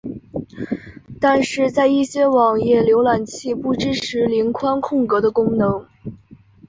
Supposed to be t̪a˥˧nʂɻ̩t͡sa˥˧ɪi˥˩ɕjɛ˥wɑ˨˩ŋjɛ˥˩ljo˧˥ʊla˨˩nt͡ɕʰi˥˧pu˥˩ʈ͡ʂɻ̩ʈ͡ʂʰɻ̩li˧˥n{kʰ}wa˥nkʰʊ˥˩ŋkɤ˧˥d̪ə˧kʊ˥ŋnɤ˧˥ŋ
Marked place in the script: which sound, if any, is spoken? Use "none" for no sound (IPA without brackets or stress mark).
kʰ